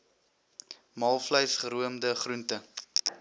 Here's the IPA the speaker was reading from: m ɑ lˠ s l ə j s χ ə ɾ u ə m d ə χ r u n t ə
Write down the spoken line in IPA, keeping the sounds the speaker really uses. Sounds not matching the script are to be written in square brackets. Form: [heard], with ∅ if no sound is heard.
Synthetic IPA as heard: m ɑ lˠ [f] l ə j s χ ə ɾ u ə m d ə χ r u n t ə

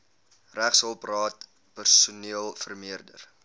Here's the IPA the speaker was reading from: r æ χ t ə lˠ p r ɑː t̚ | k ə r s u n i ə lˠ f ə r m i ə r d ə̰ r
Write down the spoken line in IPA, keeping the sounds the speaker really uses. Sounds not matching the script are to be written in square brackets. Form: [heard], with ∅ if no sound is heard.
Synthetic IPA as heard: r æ χ [s] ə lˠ p r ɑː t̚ | [p] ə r s u n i ə lˠ f ə r m i ə r d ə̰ r

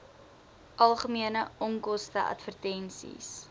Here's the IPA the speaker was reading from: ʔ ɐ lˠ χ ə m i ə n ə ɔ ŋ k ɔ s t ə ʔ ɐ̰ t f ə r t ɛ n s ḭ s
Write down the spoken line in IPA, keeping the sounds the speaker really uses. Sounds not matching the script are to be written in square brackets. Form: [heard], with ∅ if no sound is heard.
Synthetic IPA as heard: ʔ ɐ lˠ χ ə m i ə n ə ɔ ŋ k ɔ s t ə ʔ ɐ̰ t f ə r t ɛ n s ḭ s

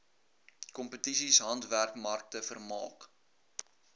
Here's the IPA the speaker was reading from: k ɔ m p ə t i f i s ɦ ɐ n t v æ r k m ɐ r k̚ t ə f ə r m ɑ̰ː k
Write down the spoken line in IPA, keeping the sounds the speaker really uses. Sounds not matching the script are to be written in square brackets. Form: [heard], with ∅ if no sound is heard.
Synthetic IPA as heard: k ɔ m p ə t i [s] i s ɦ ɐ n t v æ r k m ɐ r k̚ t ə f ə r m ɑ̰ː k

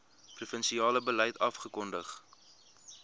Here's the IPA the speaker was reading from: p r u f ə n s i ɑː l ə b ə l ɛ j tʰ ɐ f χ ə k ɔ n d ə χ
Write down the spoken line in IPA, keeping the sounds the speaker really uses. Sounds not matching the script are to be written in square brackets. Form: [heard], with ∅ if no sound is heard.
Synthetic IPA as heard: p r u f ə n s i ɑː l ə b ə l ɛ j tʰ ɐ f χ ə k ɔ n d ə χ

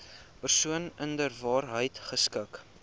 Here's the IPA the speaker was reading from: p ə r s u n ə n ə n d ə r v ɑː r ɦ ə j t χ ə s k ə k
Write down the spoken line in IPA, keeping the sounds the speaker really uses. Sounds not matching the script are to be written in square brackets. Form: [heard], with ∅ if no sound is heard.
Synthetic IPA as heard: p ə r s u [∅] ə n ə n d ə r v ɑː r ɦ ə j t χ ə s k ə k

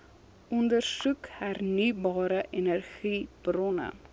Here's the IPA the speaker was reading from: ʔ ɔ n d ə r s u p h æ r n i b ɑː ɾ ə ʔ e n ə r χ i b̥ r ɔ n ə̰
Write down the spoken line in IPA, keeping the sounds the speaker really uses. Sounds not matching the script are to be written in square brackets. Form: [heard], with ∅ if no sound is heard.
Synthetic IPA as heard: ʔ ɔ n d ə r s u [k] h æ r n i b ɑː ɾ ə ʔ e n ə r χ i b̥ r ɔ n ə̰

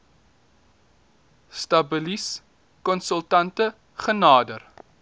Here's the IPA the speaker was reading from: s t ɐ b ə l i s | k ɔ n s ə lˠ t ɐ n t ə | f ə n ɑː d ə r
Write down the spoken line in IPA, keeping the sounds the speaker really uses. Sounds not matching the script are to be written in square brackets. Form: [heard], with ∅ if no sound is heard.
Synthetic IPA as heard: s t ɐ b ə l i s | k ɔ n s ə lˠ t ɐ n t ə | [χ] ə n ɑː d ə r

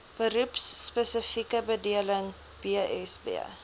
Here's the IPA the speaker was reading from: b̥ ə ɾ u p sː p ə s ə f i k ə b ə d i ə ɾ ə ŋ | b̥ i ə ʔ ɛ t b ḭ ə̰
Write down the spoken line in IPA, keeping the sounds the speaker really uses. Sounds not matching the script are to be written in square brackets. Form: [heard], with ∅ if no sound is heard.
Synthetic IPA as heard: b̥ ə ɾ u p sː p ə s ə f i k ə b ə d i ə [l] ə ŋ | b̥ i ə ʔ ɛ [s] b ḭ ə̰

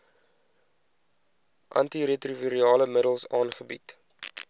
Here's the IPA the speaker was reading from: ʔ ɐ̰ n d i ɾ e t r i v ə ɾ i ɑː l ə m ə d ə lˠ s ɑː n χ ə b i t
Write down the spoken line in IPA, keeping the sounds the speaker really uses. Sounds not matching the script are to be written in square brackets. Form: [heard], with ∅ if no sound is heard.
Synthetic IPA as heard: ʔ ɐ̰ n [t] i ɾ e t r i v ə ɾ i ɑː l ə m ə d ə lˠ s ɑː n χ ə b i t

